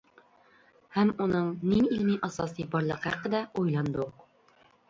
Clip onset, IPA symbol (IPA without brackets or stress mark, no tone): h